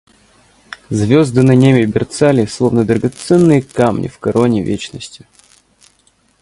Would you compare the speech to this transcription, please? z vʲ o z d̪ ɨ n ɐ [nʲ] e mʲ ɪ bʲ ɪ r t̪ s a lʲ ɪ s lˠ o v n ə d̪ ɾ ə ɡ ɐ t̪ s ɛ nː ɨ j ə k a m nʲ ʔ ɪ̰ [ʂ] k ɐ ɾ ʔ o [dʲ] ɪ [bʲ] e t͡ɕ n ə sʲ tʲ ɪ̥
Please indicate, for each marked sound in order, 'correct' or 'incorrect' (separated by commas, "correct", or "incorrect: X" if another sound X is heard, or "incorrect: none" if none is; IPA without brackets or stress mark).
correct, incorrect: f, incorrect: nʲ, incorrect: vʲ